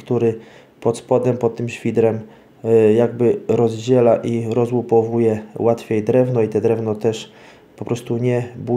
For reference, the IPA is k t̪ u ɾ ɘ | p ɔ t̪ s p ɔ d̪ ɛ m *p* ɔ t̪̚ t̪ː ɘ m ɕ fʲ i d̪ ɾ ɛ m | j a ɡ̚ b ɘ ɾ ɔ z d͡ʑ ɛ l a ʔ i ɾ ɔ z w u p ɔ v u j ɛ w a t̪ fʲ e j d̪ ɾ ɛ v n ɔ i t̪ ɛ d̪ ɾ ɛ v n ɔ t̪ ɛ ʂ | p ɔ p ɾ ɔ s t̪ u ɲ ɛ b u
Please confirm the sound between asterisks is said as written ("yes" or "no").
yes